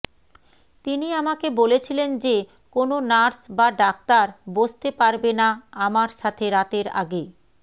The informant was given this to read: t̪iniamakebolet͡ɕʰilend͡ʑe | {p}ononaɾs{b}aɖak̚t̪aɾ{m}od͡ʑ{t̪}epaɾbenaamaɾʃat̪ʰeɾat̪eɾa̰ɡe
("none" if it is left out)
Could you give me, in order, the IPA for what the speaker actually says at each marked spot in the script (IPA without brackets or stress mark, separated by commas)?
k, b, b, t̪